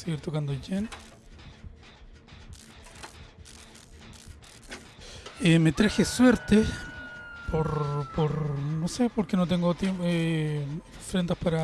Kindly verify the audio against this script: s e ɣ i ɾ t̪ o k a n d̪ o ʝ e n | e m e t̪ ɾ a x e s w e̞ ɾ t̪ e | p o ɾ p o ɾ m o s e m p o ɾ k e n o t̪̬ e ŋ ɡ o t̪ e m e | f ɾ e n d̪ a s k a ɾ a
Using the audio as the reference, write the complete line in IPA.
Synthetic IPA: s e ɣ i ɾ t̪ o k a n d̪ o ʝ e n | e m e t̪ ɾ a x e s w e̞ ɾ t̪ e | p o ɾ p o ɾ n o s e p o ɾ k e n o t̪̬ e ŋ ɡ o t̪ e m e | f ɾ e n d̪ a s p a ɾ a